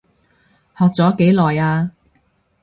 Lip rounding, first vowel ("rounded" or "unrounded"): rounded